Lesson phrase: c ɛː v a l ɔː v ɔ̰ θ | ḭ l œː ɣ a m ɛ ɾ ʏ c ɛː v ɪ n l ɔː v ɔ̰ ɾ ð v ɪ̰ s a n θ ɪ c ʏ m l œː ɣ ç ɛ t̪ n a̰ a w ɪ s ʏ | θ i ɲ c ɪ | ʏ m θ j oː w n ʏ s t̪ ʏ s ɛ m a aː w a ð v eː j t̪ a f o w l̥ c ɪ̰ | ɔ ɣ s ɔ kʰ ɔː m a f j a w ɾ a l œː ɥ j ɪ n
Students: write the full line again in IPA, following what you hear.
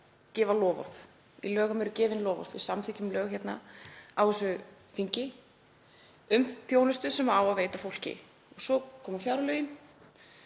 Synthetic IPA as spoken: c ɛː v a l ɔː v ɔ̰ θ | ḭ l œː ɣ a m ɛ ɾ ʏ c ɛː v ɪ n l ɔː v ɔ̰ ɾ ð v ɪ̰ s a m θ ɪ c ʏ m l œː ɣ ç ɛ t̪ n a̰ a w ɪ s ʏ | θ i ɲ c ɪ | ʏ m θ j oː w n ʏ s t̪ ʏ s ɛ m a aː w a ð v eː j t̪ a f o w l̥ c ɪ̰ | ɔ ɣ s ɔ kʰ ɔː m a f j a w ɾ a l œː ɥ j ɪ n